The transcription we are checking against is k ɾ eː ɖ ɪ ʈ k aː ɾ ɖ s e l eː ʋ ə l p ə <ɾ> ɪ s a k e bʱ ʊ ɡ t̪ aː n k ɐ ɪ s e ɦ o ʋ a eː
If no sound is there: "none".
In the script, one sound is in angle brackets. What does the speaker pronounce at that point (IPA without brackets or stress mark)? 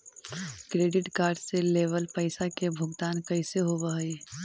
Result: none